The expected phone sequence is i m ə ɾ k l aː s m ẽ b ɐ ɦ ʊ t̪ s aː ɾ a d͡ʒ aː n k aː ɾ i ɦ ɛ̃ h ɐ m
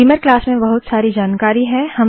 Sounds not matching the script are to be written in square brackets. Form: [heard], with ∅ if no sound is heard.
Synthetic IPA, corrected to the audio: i m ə ɾ k l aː s m ẽ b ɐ ɦ ʊ t̪ s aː ɾ [i] d͡ʒ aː n k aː ɾ i ɦ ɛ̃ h ɐ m